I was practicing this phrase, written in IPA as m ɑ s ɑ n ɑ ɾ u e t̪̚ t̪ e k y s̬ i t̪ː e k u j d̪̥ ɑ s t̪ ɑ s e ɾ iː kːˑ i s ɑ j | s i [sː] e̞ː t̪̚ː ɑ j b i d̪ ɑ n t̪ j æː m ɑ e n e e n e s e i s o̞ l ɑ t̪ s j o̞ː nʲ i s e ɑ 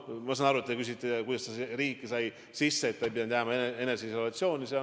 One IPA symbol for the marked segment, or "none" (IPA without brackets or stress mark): sː